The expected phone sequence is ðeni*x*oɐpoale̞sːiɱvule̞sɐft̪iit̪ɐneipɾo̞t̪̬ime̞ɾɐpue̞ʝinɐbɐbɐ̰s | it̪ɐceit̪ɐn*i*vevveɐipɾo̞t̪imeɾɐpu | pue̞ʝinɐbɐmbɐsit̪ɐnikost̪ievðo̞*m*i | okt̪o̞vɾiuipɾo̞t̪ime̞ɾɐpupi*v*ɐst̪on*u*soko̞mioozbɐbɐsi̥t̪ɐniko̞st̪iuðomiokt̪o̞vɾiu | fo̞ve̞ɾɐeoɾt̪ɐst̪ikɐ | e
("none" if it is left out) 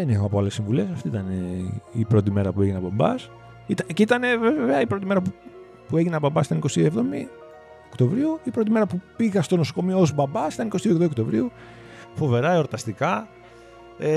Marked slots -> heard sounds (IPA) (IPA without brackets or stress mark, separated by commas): x, e, m, ɣ, o